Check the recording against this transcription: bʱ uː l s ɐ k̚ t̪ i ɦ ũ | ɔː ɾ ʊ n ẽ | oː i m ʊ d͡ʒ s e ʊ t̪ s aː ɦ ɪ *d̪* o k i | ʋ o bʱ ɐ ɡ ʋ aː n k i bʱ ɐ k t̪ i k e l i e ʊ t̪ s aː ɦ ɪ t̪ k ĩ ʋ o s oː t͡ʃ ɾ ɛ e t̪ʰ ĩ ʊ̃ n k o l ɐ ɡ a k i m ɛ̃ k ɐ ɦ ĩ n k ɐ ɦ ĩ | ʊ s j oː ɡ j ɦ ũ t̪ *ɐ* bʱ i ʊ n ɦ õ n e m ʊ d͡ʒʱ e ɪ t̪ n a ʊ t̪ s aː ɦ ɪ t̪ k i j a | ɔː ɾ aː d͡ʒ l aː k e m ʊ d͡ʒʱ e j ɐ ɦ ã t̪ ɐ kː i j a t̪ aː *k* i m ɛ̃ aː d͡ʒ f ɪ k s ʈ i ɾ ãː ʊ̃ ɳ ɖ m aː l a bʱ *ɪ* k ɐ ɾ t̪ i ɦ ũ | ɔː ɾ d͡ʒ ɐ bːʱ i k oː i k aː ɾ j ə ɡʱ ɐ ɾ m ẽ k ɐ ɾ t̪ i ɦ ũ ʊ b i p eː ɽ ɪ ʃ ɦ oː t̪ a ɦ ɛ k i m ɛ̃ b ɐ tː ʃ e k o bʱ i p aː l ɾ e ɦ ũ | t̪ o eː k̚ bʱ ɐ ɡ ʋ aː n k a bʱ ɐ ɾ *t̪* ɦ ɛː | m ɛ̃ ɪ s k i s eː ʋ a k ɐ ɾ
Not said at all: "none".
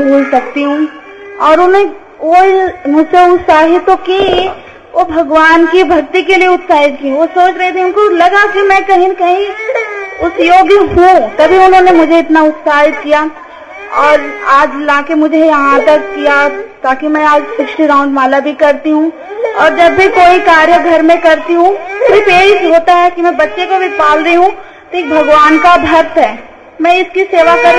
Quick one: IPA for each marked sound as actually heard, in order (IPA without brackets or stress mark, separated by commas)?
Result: t̪, ɐ, k, i, t̪